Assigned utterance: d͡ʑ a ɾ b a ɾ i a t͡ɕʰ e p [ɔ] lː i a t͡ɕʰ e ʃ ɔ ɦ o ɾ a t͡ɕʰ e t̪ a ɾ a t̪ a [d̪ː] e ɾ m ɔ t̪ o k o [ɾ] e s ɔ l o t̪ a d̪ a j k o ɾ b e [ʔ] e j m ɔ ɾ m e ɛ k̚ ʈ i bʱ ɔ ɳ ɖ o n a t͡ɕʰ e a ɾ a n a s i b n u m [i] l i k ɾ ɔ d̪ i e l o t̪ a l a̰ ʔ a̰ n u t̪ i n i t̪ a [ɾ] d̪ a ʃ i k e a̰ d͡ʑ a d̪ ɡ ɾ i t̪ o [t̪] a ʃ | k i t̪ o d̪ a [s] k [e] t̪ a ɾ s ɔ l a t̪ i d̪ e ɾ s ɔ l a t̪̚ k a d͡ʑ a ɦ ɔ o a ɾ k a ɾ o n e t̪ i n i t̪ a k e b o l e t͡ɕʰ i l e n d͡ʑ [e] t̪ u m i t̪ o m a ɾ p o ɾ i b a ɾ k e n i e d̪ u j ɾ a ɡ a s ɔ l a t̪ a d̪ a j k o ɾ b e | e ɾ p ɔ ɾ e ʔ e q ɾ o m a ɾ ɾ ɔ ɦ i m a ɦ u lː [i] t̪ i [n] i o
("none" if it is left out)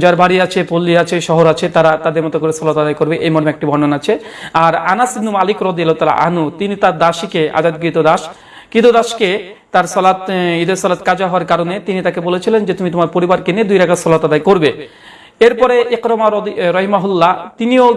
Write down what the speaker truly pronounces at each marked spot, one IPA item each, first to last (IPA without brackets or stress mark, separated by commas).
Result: o, d̪, ɾ, ʔ, a, ɾ, d̪, ʃ, e, e, a, n